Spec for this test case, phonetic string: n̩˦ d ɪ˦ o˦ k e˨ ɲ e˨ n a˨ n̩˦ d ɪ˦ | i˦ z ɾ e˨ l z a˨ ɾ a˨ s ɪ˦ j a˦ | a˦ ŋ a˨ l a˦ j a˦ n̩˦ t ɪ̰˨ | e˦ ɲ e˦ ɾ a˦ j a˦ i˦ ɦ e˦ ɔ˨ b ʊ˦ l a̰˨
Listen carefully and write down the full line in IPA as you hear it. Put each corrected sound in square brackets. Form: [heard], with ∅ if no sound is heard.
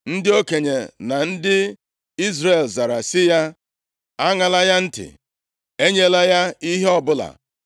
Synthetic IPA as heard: n̩˦ d ɪ˦ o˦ k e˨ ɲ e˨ n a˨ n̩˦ d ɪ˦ | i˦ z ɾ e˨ l z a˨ ɾ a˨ s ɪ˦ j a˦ | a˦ ŋ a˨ l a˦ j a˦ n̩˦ t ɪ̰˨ | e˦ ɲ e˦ [l] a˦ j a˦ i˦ ɦ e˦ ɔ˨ b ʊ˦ l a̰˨